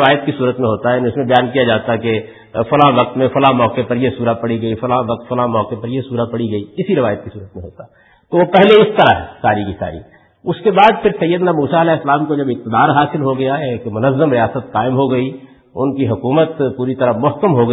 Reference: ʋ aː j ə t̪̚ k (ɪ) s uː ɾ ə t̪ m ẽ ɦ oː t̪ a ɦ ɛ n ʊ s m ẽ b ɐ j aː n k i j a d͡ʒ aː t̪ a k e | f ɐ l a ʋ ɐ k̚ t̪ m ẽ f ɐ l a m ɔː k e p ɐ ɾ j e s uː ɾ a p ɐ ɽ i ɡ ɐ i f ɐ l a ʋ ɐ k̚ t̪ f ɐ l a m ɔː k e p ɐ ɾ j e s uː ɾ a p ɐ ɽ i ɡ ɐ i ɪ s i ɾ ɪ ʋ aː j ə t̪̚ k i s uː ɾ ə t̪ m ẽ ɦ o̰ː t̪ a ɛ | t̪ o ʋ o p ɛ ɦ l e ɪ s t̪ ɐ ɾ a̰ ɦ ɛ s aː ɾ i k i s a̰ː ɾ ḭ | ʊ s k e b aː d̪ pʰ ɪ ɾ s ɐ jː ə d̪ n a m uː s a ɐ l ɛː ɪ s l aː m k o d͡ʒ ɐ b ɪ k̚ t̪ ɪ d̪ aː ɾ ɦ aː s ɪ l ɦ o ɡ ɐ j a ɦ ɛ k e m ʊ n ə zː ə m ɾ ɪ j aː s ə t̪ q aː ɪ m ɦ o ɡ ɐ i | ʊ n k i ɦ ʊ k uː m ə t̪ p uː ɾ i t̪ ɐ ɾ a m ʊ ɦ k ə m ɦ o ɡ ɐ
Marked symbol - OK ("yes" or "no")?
no